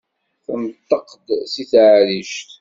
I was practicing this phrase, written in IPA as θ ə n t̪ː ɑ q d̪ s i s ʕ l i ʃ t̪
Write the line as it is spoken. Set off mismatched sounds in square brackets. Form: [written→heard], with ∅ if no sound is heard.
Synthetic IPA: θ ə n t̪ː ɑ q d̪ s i [s→θ] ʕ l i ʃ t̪